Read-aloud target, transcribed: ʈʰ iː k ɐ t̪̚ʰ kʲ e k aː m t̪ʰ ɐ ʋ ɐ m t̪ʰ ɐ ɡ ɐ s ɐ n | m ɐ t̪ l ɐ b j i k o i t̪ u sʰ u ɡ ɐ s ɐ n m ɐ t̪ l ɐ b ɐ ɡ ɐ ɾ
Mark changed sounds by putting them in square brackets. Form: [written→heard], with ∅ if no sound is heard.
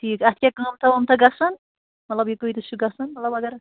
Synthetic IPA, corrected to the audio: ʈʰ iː k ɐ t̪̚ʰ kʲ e k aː m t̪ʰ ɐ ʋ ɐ m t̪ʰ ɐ ɡ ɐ s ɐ n | m ɐ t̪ l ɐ b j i k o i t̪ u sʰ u ɡ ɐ s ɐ n m ɐ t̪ l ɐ b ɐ ɡ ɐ ɾ